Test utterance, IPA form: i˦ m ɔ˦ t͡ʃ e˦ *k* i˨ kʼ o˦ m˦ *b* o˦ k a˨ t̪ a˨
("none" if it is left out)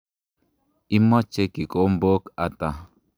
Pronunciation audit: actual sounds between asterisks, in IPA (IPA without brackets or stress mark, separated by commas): k, b